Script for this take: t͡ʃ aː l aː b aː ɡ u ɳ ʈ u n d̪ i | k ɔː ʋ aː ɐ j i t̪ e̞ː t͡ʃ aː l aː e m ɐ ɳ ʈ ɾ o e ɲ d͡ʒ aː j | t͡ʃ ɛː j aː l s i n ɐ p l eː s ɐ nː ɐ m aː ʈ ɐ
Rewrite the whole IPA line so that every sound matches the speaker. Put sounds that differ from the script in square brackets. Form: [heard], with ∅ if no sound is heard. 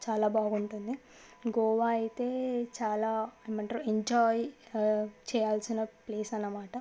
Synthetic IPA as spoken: t͡ʃ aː l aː b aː ɡ u ɳ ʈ u n d̪ i | [ɡ] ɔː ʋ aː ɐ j i t̪ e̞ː t͡ʃ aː l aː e m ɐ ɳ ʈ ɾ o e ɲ d͡ʒ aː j | t͡ʃ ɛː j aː l s i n ɐ p l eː s ɐ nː ɐ m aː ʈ ɐ

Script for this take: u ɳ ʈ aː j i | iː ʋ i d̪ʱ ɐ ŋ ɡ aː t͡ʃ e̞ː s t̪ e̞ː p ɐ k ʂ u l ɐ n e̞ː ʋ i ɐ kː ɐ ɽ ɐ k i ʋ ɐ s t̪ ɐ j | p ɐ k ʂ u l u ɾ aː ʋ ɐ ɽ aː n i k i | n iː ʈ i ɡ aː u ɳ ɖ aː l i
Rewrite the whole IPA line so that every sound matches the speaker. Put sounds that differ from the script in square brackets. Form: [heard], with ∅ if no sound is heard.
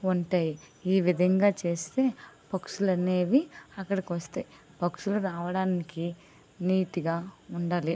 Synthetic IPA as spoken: u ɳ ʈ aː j i | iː ʋ i d̪ʱ ɐ ŋ ɡ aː t͡ʃ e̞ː s t̪ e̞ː p ɐ k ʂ u l ɐ n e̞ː ʋ i ɐ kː ɐ ɽ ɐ k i ʋ ɐ s t̪ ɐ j | p ɐ k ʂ u l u ɾ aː ʋ ɐ ɽ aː n i k i | n iː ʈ i ɡ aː u ɳ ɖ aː l i

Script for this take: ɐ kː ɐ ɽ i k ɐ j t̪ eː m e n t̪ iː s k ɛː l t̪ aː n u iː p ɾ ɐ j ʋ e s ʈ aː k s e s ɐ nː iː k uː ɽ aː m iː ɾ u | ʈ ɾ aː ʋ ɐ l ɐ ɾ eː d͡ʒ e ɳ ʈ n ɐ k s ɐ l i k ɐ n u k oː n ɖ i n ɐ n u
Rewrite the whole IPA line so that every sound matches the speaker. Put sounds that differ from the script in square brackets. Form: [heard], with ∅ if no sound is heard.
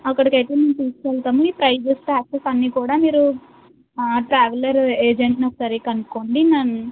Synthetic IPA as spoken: ɐ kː ɐ ɽ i k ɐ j t̪ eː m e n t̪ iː s k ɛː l t̪ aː [m] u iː p ɾ ɐ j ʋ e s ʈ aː k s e s ɐ nː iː k uː ɽ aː m iː ɾ u | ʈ ɾ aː ʋ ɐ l ɐ ɾ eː d͡ʒ e ɳ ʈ n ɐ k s ɐ [ɾ] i k ɐ n u k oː [ɳ] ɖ i n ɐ n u

